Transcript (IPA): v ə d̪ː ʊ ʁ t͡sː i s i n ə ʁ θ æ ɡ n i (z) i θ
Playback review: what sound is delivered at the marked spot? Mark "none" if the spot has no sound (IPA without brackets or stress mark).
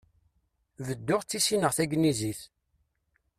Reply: z